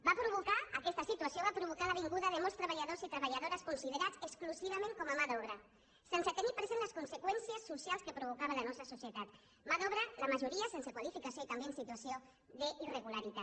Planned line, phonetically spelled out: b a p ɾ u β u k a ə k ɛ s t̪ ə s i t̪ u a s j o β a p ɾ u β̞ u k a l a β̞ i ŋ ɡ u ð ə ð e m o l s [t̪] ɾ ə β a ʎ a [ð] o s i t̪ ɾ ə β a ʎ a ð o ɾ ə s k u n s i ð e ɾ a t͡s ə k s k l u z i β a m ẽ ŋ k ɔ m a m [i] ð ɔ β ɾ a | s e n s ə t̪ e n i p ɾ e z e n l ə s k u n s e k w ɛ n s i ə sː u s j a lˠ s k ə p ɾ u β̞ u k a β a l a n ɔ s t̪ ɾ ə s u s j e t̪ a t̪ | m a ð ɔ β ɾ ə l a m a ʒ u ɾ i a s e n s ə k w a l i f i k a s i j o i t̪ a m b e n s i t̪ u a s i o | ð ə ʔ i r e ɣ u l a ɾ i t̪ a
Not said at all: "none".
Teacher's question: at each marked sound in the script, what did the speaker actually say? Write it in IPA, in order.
t̪, ð, a

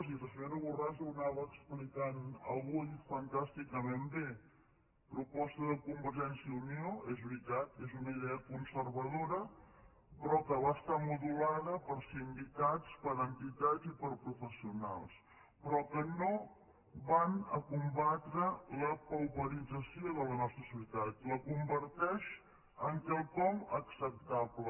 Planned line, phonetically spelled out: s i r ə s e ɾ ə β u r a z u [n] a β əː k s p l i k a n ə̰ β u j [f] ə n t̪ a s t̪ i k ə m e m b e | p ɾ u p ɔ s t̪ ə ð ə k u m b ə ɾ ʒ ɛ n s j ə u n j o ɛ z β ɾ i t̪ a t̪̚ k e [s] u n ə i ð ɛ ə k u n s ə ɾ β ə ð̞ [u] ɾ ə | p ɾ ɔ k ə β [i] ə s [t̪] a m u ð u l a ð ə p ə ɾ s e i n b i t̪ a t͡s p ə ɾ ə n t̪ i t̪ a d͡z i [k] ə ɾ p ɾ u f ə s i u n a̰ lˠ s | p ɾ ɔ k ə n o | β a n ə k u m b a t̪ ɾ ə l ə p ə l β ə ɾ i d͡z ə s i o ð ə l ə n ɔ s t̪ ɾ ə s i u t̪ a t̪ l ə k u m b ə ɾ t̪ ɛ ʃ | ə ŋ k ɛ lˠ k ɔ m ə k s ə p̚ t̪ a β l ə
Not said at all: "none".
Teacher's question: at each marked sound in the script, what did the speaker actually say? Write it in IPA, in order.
n, f, z, o, a, t̪, p

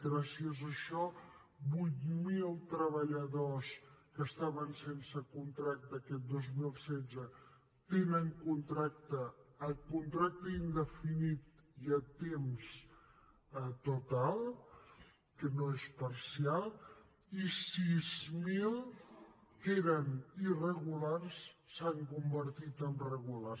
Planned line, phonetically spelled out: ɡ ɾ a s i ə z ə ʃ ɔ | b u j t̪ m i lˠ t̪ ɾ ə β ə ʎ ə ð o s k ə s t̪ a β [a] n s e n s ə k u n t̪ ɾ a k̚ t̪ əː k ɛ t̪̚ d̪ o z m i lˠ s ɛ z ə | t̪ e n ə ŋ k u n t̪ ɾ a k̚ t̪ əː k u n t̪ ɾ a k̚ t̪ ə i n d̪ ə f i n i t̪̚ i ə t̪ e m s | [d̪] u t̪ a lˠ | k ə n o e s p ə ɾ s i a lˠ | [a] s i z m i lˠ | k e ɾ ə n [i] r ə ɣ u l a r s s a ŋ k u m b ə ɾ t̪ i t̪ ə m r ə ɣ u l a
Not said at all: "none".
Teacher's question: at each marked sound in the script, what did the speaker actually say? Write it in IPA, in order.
ə, t̪, i, i

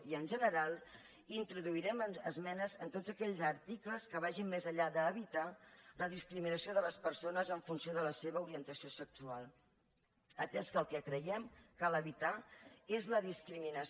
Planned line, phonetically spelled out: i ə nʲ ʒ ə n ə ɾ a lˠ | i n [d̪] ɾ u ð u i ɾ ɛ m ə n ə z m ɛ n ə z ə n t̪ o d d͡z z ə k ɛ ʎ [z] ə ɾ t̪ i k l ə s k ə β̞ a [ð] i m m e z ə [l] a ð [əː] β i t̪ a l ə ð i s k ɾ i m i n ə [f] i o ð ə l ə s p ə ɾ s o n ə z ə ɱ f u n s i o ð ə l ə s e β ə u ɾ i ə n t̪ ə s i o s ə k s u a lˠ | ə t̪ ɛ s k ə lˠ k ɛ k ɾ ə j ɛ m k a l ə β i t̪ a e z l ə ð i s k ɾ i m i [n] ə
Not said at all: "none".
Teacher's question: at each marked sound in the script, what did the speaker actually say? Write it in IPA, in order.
t̪, z, ʒ, ʎ, əː, s, n

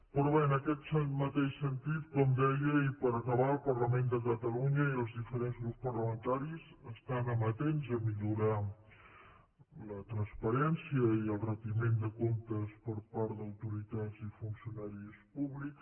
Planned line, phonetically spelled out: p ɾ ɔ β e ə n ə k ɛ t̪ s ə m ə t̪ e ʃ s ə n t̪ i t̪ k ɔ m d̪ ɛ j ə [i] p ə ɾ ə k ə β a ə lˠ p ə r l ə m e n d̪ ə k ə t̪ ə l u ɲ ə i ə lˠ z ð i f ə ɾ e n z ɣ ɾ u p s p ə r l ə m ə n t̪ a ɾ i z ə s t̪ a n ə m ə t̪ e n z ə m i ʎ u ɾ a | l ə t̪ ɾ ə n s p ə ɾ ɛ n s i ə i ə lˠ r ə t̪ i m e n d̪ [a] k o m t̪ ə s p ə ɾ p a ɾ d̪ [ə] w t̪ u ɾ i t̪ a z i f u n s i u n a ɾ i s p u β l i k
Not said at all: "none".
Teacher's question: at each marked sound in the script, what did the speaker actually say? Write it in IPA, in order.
i, ə, ə

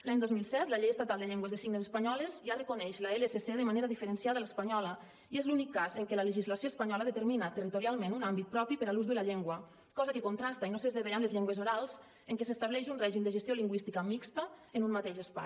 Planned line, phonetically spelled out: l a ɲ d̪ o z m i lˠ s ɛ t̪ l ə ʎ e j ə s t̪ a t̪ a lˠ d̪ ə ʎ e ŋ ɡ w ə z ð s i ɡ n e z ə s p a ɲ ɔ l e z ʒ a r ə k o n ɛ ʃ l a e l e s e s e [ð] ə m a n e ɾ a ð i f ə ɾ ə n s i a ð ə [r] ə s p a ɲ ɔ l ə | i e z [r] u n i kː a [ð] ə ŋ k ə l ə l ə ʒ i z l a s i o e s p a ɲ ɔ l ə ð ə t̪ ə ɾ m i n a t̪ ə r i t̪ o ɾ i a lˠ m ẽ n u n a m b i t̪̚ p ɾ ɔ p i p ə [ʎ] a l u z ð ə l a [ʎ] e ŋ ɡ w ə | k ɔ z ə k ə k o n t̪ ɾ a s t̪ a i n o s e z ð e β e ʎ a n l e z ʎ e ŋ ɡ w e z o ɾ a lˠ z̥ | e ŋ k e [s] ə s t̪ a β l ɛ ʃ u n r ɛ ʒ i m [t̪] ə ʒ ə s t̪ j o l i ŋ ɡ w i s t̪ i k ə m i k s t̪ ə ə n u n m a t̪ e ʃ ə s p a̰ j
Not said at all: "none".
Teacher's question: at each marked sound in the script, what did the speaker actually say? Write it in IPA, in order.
ð, l, l, z, ɾ, ʎ, s, d̪

